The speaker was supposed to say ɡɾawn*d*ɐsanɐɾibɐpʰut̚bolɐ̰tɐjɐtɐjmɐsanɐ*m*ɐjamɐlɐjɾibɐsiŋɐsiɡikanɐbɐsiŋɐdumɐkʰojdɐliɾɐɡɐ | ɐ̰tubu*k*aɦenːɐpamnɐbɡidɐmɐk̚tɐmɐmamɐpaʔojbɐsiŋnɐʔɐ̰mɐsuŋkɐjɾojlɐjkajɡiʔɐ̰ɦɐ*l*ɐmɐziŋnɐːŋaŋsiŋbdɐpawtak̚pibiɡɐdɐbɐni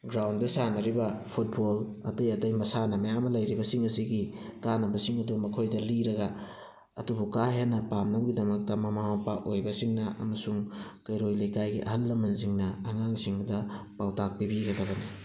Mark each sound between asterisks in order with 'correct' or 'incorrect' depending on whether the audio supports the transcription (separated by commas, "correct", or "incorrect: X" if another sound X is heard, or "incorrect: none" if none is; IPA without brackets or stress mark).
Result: correct, correct, correct, incorrect: lː